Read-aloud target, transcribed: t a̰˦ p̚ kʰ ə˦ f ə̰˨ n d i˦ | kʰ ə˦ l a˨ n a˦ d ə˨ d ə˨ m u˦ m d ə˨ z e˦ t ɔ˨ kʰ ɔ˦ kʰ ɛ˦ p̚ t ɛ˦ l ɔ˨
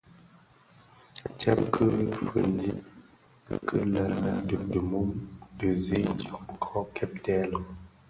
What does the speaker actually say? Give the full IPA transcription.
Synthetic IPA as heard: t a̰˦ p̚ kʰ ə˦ f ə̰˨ n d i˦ | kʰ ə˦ l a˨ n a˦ d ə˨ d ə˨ m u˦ m d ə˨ z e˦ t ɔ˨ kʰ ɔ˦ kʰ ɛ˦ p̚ t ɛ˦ l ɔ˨

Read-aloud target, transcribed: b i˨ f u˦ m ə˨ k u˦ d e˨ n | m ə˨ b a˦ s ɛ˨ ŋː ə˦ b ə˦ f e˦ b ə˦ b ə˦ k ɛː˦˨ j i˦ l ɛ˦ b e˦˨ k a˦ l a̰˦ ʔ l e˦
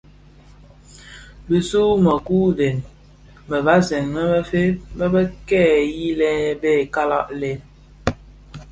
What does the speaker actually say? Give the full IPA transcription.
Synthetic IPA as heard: b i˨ s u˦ m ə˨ k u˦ d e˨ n | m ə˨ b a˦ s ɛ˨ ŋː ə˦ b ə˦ f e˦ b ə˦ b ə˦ k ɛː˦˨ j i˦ l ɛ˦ b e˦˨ k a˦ l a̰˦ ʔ l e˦

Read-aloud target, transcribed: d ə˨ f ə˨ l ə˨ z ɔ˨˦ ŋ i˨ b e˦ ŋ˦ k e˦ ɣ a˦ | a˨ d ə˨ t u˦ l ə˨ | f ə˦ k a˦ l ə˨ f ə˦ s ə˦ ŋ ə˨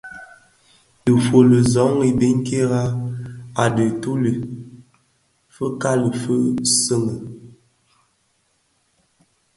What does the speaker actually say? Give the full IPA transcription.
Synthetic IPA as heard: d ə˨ f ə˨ l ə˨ z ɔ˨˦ ŋ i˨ b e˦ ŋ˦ k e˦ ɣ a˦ | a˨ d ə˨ t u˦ l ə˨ | f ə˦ k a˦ l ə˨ f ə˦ s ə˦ ŋ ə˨

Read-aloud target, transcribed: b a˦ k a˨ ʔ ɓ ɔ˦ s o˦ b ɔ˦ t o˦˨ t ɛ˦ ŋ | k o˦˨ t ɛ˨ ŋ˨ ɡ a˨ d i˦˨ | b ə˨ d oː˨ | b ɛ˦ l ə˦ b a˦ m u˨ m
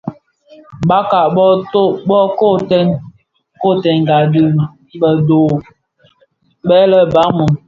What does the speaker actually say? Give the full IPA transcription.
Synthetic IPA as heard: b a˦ k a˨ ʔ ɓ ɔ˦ t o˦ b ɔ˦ k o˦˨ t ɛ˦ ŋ | k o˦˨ t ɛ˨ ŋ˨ ɡ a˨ d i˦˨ | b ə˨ d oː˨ | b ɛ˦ l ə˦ b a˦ m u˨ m

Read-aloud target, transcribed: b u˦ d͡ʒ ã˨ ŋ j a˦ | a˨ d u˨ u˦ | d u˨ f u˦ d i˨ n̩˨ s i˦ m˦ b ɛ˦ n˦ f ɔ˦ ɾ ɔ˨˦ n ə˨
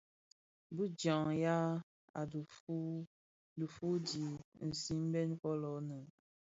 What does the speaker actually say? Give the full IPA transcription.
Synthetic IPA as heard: b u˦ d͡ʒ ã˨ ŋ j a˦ | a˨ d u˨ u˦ | d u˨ f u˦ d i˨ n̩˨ s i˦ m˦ b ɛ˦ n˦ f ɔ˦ l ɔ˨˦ n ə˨

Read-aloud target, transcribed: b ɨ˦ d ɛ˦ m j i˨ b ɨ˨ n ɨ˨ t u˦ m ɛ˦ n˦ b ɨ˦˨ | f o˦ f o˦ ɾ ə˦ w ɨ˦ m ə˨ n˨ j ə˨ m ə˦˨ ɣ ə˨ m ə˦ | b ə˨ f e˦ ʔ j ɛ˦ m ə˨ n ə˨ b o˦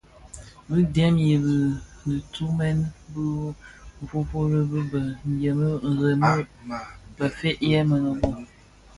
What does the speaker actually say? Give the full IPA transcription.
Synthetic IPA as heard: b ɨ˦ d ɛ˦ m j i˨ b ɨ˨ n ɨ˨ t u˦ m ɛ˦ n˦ b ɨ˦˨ | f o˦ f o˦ ɾ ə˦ b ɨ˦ b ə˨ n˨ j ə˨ m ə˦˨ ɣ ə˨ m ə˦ | b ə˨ f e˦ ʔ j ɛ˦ m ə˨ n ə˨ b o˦

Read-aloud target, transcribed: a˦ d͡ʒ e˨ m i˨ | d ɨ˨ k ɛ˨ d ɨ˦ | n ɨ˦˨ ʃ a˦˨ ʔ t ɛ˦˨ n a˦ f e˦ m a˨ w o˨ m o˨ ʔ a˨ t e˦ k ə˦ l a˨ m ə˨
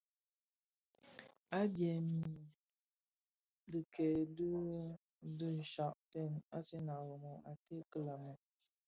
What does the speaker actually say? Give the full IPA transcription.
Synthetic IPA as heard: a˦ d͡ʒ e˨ m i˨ | d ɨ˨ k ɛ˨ d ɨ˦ | d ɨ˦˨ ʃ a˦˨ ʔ t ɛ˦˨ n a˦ s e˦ n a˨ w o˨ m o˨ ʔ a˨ t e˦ k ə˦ l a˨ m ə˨

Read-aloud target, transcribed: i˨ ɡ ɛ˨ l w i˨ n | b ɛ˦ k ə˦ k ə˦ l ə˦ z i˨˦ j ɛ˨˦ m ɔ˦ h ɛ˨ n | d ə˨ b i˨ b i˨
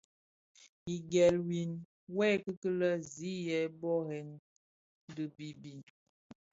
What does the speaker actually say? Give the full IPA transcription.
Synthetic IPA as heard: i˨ ɡ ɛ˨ l w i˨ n | w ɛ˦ k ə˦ k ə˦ l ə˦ z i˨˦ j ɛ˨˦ b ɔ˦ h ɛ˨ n | d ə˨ b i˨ b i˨

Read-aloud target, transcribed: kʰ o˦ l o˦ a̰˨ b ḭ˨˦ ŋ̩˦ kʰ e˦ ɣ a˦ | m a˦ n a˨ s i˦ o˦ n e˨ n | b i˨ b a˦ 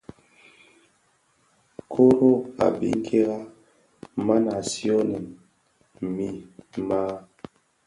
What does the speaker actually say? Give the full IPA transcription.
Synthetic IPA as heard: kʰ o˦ ɾ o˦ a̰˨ b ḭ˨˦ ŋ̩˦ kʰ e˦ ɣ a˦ | m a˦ n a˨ s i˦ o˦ n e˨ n | m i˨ m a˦

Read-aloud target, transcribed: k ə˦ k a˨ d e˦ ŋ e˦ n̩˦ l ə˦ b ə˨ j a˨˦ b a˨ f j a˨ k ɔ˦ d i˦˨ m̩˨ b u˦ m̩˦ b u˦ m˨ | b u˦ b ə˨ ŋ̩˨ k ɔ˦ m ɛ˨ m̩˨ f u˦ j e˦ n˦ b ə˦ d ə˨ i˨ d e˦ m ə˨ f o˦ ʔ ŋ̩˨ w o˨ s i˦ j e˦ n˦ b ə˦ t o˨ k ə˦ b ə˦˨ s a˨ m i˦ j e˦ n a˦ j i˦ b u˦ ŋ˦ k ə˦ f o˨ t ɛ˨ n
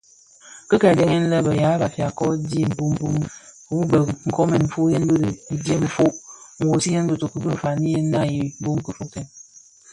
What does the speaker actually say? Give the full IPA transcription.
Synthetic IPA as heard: k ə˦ k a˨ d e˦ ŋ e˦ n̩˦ l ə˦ b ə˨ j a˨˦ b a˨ f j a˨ k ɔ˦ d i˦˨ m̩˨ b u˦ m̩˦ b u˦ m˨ | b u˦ b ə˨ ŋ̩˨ k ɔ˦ m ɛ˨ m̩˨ f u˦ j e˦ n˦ b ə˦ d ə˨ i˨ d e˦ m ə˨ f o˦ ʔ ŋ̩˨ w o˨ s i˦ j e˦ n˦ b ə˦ t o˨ k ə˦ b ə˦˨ f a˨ n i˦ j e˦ n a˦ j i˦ b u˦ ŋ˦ k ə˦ f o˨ t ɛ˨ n

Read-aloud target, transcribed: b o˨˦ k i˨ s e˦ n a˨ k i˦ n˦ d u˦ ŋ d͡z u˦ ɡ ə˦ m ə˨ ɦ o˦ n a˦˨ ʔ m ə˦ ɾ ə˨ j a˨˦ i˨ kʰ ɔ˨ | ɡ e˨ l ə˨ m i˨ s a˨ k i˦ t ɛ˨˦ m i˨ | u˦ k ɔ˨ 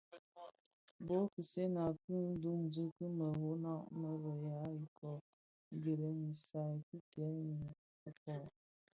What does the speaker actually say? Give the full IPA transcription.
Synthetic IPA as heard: b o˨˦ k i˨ s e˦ n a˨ k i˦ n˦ d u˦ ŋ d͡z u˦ k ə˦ m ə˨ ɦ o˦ n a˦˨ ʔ m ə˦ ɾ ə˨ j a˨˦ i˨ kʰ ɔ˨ | ɡ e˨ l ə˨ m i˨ s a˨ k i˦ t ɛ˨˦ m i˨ | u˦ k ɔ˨

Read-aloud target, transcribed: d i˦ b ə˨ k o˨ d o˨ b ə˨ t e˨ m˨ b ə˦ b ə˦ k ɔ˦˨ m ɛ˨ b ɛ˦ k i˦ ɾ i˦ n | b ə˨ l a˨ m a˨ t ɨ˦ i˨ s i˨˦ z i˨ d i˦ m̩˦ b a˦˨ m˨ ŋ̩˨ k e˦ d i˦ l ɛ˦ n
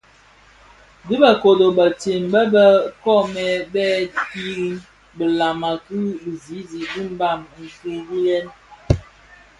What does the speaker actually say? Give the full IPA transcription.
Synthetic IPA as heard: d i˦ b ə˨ k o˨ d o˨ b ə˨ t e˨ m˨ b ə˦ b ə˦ k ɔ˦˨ m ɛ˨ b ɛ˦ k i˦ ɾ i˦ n | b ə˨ l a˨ m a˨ k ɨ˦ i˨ z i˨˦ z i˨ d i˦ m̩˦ b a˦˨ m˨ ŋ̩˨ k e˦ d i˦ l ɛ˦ n

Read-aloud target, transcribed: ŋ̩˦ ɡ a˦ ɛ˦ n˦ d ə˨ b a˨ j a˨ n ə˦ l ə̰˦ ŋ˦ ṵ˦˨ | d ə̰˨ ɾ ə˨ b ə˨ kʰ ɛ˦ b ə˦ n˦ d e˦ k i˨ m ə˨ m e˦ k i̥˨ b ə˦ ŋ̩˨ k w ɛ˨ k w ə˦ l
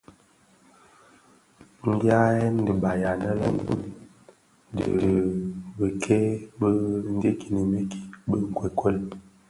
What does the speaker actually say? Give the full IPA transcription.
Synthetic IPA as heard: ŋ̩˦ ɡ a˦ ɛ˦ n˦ d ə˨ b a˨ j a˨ n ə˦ l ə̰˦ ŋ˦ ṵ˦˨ | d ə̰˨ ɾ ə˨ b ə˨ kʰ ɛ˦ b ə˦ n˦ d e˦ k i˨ n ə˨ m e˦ k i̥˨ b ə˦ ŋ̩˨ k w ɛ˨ k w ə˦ l

